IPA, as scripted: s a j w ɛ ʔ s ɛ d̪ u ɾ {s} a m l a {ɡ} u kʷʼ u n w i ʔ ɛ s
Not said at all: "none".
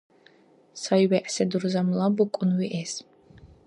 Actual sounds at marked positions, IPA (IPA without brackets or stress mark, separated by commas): z, b